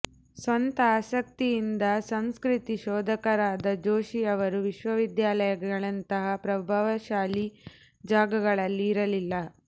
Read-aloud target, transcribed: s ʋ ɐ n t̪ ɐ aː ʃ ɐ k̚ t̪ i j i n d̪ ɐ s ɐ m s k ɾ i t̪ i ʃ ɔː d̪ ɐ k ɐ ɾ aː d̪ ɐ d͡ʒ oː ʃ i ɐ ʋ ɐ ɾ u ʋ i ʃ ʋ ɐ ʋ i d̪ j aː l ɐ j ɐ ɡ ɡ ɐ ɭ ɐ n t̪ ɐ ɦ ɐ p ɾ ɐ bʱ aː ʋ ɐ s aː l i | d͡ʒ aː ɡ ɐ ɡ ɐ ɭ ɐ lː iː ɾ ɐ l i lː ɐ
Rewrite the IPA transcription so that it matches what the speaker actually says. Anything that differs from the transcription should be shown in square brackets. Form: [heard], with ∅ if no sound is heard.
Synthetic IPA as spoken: s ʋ ɐ n t̪ ɐ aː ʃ ɐ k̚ t̪ i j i n d̪ ɐ s ɐ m s k ɾ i t̪ i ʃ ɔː d̪ ɐ k ɐ ɾ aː d̪ ɐ d͡ʒ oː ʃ i ɐ ʋ ɐ ɾ u ʋ i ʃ ʋ ɐ ʋ i d̪ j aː l ɐ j ɐ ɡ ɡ ɐ ɭ ɐ n t̪ ɐ ɦ ɐ p ɾ ɐ bʱ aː ʋ ɐ [ʃ] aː l i | d͡ʒ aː ɡ ɐ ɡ ɐ ɭ ɐ lː iː ɾ ɐ l i lː ɐ